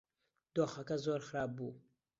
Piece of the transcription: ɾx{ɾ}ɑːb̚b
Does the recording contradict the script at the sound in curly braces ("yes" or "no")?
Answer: no